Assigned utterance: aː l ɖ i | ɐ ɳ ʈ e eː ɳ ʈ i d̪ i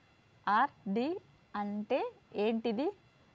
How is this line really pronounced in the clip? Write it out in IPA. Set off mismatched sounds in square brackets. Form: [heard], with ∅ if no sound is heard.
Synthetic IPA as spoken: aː [ɾ] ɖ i | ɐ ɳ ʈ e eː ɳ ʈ i d̪ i